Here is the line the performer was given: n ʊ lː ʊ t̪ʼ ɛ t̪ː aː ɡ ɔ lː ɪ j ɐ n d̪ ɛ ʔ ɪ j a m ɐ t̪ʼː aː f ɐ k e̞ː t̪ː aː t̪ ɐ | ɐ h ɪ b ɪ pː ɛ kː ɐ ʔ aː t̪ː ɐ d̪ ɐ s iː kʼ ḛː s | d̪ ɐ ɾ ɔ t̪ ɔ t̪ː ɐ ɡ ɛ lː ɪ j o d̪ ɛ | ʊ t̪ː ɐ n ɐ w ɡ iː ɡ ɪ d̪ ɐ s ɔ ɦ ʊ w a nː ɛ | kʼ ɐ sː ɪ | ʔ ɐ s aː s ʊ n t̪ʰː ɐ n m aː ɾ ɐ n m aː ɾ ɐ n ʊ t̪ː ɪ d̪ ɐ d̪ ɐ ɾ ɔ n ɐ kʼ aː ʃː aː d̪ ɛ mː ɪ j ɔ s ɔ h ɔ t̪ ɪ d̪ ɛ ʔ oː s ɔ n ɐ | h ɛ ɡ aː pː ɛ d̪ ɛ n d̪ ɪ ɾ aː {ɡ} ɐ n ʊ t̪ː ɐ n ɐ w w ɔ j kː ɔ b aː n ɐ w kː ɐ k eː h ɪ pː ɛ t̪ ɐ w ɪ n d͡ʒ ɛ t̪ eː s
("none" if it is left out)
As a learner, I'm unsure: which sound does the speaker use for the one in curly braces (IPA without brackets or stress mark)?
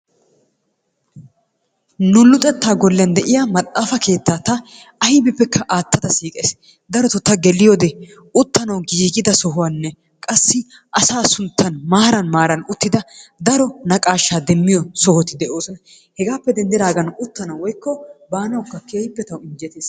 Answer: ɡ